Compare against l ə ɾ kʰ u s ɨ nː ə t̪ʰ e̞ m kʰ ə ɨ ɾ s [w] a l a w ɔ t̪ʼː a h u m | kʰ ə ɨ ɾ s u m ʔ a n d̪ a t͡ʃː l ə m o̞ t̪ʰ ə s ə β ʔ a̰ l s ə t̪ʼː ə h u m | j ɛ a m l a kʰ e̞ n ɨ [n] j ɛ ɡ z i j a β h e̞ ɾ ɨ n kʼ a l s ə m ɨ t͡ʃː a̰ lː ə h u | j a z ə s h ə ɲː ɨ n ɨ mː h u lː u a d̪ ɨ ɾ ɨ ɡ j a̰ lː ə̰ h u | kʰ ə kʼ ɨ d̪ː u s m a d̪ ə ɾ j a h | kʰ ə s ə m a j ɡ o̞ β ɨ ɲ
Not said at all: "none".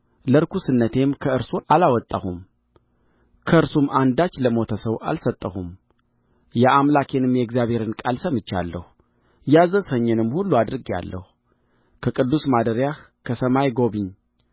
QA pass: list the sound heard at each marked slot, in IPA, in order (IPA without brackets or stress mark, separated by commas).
u, m